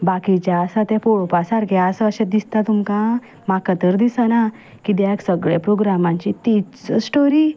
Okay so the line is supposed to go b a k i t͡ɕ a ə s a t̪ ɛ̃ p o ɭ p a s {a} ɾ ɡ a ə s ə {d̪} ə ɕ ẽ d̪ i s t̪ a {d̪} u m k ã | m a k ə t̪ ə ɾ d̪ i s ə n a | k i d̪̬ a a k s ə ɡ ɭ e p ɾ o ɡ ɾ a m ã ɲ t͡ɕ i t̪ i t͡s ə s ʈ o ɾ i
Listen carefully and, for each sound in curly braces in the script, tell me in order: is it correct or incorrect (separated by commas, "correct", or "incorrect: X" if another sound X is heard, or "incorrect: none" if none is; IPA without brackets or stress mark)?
correct, incorrect: none, incorrect: t̪